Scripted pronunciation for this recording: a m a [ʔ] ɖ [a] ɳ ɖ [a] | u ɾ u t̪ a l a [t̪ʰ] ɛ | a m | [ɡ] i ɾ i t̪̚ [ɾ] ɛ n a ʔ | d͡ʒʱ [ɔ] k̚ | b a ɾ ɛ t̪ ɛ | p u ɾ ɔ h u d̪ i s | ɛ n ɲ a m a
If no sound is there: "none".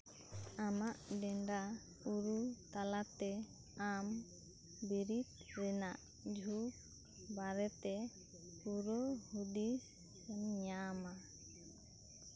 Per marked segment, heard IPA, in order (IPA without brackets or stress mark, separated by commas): ʔ, ɛ, a, t̪, b, ɾ, u